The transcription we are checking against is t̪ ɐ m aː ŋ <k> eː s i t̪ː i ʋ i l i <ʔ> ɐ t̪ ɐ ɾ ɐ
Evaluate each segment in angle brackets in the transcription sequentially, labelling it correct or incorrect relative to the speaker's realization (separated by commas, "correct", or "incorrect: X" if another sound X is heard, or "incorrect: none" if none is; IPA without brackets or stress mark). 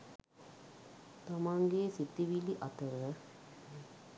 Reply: incorrect: ɡ, correct